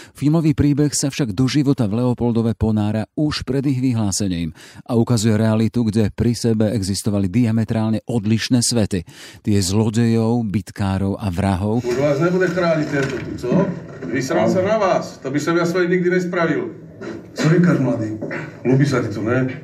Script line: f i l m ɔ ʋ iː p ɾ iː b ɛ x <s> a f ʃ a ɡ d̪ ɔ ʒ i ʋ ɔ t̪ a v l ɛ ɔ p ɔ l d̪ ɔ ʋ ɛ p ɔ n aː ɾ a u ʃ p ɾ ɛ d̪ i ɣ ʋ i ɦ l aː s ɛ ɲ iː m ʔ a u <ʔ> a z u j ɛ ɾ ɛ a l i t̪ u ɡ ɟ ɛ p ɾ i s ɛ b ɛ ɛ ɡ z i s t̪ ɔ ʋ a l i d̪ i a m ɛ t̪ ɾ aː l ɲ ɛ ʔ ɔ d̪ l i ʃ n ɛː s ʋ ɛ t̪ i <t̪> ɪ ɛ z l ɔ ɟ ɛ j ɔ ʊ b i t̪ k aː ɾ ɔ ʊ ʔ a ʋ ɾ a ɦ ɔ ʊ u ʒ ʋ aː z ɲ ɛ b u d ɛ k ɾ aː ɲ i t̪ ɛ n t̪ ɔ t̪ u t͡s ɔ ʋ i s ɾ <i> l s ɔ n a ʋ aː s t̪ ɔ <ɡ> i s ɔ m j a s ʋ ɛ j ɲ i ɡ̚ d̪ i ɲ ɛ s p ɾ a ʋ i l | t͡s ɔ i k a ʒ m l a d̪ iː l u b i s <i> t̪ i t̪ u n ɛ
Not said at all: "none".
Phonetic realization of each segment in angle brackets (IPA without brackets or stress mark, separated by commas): s, k, t̪, a, b, a